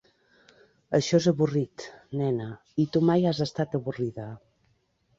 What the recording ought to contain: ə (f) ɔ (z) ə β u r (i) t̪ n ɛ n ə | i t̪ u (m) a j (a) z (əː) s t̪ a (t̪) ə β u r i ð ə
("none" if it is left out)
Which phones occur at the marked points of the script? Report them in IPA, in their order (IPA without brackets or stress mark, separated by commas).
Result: ʃ, z, i, m, a, ə, t̪